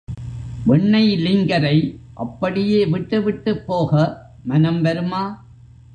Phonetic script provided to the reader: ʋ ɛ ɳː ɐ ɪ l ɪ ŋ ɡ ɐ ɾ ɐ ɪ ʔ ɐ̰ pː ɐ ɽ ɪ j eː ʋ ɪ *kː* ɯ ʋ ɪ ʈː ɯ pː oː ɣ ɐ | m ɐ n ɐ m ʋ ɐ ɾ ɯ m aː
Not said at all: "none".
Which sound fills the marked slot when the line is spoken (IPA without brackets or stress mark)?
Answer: ʈː